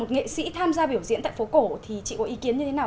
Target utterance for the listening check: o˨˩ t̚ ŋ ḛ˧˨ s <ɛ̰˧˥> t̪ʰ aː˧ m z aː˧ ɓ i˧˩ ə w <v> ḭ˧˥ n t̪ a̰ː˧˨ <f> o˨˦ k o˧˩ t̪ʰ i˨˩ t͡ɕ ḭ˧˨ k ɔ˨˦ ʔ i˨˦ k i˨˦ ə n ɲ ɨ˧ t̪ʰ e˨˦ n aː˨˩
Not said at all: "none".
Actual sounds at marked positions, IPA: ḭ˧˥, z, f

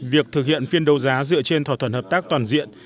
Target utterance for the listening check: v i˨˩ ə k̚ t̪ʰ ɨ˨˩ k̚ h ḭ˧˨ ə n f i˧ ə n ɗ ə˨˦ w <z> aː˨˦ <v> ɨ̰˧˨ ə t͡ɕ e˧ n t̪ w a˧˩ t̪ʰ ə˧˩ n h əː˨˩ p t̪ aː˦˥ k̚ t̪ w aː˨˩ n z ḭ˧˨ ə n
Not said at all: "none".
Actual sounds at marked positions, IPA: z, z

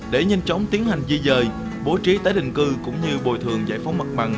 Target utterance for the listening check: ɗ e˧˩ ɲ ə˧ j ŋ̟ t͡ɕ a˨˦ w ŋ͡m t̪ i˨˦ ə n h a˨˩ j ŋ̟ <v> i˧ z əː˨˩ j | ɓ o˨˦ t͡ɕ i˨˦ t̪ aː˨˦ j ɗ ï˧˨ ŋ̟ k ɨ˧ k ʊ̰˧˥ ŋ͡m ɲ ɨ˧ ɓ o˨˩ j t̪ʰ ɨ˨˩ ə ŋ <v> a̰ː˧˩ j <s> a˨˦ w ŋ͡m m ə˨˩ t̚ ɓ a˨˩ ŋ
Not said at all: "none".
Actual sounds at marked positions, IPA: z, z, f

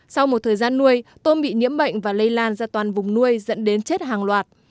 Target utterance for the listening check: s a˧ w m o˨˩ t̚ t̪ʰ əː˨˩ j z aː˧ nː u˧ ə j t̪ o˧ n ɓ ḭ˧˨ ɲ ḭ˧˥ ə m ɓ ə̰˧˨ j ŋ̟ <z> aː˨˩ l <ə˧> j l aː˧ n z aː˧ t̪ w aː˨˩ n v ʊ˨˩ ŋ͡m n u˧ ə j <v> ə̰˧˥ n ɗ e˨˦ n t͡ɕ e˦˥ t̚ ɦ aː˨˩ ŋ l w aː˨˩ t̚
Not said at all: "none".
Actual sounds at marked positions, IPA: v, ə˧, z

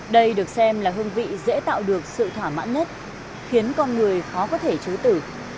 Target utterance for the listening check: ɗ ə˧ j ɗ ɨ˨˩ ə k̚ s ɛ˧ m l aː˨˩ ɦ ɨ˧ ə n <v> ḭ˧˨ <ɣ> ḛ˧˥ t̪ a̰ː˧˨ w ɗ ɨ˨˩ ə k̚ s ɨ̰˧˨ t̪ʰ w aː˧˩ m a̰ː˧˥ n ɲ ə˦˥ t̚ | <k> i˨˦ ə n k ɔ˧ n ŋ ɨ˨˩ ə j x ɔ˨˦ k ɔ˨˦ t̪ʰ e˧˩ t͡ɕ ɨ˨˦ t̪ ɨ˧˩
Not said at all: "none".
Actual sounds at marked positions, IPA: v, z, x

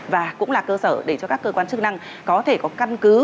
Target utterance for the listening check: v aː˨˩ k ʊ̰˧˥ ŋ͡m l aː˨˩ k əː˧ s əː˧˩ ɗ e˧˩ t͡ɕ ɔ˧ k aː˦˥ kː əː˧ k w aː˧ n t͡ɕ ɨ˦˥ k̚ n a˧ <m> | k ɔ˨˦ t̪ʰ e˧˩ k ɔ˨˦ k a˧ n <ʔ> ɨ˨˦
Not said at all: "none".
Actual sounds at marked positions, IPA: ŋ, k

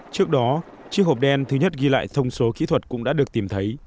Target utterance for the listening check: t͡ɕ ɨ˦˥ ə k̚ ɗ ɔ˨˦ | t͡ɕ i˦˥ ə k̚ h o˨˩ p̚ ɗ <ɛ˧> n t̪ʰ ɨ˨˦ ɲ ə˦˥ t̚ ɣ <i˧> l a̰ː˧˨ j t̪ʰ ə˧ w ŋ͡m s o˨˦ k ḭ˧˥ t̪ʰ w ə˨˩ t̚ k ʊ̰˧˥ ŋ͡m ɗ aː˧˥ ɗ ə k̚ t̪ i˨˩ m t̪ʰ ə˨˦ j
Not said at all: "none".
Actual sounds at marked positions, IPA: ɛ˧, i˧

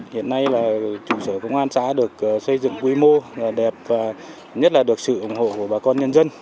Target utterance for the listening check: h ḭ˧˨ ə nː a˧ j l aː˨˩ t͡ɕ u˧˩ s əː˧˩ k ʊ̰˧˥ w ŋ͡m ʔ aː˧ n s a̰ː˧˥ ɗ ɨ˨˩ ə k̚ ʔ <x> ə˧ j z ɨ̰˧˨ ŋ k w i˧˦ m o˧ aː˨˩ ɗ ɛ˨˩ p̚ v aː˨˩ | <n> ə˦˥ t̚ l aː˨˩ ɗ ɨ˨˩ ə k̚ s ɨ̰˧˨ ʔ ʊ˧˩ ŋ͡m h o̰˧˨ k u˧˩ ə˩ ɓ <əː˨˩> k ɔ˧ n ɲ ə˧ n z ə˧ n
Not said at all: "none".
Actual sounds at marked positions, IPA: s, ɲ, aː˨˩

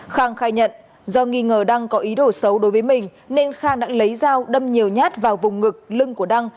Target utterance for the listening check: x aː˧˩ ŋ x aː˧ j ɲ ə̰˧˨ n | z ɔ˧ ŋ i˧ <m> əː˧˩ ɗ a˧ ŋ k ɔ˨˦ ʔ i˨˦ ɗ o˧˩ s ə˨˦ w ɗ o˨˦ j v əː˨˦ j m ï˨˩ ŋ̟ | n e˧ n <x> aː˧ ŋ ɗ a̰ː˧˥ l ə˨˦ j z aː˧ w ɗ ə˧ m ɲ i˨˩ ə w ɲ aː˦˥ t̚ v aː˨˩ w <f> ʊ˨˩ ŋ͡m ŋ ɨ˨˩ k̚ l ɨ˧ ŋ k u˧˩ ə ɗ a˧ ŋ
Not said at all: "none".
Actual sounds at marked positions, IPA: ŋ, x, v

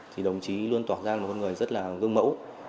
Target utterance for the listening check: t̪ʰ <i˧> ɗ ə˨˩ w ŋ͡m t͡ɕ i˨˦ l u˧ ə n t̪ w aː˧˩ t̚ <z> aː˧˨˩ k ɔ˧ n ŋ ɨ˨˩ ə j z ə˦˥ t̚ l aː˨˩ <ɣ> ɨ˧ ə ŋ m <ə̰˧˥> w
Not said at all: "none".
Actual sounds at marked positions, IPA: i˨˩, z, ɣ, ə̰˧˥

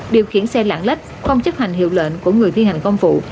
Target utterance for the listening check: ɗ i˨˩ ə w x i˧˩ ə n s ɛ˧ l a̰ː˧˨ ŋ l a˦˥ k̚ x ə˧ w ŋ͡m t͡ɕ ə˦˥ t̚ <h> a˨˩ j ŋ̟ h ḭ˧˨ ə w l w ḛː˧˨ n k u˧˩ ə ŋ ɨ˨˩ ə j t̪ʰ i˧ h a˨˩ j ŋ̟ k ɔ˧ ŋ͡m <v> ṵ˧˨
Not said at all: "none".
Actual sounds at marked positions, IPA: h, f

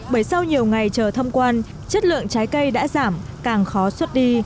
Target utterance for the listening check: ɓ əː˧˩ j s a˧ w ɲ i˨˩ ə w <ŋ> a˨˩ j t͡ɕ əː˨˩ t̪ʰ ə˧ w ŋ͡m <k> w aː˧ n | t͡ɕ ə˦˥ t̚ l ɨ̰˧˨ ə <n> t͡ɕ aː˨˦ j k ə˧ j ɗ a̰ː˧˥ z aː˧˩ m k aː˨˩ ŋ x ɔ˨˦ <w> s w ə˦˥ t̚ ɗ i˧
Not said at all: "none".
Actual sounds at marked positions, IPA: ŋ, k, ŋ, none

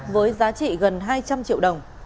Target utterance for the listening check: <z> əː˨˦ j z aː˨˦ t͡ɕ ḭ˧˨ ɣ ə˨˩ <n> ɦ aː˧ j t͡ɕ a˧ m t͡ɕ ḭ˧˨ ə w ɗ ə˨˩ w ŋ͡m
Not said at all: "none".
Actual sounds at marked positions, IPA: v, n

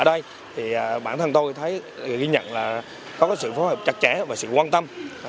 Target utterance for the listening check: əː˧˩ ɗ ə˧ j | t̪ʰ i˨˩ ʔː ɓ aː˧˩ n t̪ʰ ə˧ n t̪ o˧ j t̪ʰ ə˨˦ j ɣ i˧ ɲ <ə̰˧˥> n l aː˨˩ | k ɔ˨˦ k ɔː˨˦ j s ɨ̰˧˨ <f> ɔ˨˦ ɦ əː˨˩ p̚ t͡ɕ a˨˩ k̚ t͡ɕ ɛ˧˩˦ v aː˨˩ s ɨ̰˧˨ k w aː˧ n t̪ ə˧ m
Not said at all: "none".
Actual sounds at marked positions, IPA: ə̰˧˨, f

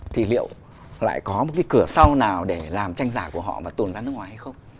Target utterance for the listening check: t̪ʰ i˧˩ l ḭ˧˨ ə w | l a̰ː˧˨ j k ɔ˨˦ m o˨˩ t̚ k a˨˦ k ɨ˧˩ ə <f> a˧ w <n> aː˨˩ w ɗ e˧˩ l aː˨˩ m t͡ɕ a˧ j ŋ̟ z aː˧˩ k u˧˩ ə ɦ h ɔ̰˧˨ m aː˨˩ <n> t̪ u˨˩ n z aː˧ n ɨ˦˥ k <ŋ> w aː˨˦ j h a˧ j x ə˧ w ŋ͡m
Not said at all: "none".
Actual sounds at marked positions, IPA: s, n, none, ŋ

